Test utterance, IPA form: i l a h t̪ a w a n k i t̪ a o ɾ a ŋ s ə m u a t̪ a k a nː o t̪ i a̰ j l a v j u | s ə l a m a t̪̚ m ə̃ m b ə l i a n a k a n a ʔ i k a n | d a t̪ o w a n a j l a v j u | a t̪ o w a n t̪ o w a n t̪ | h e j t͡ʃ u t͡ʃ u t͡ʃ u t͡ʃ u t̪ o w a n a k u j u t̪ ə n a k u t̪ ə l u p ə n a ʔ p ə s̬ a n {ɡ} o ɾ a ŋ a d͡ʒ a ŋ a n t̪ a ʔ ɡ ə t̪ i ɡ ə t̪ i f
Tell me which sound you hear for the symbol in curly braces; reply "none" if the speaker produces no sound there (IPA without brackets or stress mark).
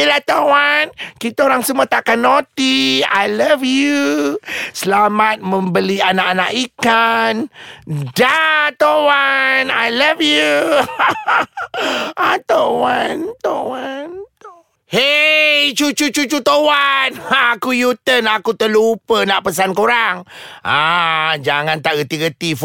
k